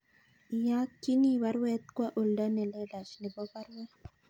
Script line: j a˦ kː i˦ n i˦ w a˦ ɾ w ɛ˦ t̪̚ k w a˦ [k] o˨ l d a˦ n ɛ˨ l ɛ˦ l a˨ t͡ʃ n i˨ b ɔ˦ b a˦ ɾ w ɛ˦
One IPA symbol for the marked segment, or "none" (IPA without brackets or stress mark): ʔ